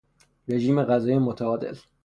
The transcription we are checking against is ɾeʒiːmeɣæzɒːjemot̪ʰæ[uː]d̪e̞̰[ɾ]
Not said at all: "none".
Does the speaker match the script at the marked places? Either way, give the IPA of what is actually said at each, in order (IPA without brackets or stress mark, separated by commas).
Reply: ɒː, l